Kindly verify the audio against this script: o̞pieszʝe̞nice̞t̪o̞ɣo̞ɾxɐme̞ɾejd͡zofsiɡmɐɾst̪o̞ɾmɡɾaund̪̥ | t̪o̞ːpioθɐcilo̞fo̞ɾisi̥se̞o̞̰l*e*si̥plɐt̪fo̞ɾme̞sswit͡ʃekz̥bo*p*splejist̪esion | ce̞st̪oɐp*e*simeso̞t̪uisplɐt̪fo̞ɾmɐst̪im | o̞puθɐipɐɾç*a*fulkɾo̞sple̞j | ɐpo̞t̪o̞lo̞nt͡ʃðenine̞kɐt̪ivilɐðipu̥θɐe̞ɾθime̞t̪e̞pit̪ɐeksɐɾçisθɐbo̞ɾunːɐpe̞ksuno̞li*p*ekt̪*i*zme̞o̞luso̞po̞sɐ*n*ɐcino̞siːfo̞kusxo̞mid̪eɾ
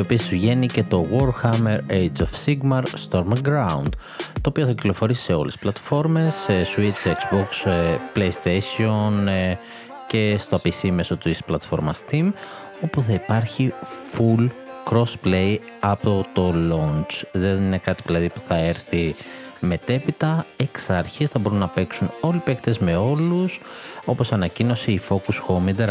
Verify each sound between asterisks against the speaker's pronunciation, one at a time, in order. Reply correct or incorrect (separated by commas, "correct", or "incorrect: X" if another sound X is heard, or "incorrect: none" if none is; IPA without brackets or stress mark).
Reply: correct, incorrect: k, incorrect: i, incorrect: i, correct, incorrect: e, correct